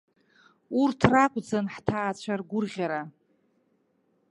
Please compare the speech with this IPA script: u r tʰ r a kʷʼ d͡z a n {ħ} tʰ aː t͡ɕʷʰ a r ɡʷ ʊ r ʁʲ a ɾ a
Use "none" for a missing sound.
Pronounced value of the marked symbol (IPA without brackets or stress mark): ħ